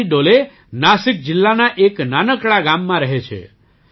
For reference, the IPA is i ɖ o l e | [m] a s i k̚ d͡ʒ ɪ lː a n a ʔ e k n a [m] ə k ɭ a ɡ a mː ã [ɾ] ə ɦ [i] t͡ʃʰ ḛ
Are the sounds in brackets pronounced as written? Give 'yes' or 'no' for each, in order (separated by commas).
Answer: no, no, yes, no